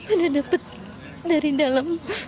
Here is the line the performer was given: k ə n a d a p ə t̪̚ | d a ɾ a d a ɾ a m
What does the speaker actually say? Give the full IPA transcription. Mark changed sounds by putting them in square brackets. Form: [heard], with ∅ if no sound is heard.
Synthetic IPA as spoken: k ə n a d a p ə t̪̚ | d a ɾ [i] d a [l] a m